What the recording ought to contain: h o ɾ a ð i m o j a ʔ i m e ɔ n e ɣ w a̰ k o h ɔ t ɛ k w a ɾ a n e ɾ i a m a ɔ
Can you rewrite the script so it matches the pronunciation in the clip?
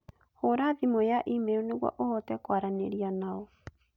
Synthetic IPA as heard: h o ɾ a ð i m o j a ʔ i m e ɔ n e ɣ w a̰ ʔ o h ɔ t ɛ k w a ɾ a n e ɾ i a n a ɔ

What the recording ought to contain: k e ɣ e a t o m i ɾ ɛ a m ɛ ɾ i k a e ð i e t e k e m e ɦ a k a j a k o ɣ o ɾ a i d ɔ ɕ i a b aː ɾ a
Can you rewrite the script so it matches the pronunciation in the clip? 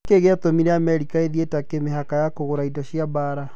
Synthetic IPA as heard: k e ɣ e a t o m i ɾ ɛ a m ɛ ɾ i k a e ð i e t a k e m e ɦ a k a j a k o ɣ o ɾ a i d ɔ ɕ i a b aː ɾ a

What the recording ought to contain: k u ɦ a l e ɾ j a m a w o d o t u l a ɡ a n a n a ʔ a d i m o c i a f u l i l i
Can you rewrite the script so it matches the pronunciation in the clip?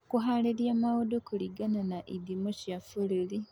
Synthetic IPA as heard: k u ɦ a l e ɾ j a m a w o d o k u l i ɡ a n a n a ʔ i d i m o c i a f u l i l i

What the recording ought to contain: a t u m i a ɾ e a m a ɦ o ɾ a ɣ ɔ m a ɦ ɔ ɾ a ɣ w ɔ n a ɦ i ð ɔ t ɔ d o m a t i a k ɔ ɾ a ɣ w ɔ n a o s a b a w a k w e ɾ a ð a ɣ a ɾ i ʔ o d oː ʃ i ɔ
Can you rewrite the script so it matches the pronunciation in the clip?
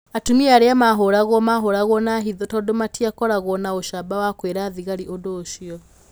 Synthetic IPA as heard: a t u m i a ɾ e a m a ɦ o ɾ a ɣ ɔ m a ɦ o ɾ a ɣ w ɔ n a ɦ i ð ɔ t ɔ d o m a t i a k ɔ ɾ a ɣ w ɔ n a o ʃ a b a w a k w e ɾ a ð i ɣ a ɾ i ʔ o d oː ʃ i ɔ

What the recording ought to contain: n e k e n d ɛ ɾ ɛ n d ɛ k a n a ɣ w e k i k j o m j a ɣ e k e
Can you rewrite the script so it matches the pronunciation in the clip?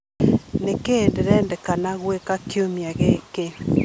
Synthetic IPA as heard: n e k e n d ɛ ɾ ɛ n d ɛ k a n a ɣ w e k a k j o m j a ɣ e k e

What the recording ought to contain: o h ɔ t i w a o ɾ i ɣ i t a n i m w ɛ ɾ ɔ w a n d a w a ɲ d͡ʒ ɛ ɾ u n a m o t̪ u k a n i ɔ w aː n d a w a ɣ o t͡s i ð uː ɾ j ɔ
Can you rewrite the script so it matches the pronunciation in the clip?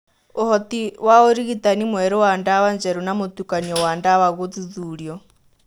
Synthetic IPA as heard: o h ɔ t i w a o ɾ i ɣ i t a n i m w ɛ ɾ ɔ w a n d a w a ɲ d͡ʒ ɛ ɾ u n a m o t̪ u k a n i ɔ w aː n d a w a ɣ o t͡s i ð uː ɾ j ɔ

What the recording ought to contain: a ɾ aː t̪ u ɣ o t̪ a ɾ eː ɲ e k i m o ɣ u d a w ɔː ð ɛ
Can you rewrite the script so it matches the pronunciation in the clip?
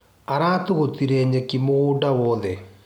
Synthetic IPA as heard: a ɾ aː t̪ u ɣ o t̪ i ɾ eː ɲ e k i m o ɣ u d a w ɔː ð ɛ

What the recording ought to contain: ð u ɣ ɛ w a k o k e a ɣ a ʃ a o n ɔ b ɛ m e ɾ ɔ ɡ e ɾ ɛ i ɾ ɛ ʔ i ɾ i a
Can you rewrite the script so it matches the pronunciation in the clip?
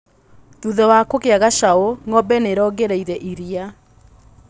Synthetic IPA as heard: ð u ð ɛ w a k o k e a ɣ a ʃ a o ŋ ɔ b ɛ n e ɾ ɔ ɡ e ɾ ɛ i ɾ ɛ ʔ i ɾ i a

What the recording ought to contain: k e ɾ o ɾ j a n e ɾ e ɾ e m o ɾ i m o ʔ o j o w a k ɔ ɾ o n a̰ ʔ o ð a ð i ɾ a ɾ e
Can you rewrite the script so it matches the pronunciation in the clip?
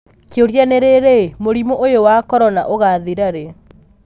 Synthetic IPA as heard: k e o ɾ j a n e ɾ e ɾ e m o ɾ i m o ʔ o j o w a k ɔ ɾ ɔ n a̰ ʔ o ɣ a ð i ɾ a ɾ e

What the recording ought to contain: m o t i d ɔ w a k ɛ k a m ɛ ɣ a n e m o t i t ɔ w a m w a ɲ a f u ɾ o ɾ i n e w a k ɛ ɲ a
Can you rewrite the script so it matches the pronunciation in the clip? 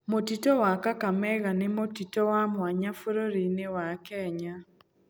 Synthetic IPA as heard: m o t i t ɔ w a k a k a m ɛ ɣ a n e m o t i t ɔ w a m w a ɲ a f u ɾ o ɾ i n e w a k ɛ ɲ a

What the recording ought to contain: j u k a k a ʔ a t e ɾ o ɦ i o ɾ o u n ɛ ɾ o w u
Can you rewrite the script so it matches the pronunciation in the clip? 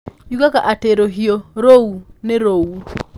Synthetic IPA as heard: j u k a k a ʔ a t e ɾ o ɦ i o ɾ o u n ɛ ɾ o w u

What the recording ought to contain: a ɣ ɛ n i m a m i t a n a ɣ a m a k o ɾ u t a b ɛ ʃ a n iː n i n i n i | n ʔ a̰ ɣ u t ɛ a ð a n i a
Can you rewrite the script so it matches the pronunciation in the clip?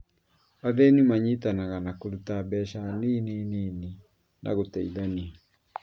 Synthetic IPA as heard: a ð ɛ n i m a ɲ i t a n a ɣ a n a k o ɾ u t a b ɛ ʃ a n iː n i n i n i | n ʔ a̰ ɣ o t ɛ i ð a n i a

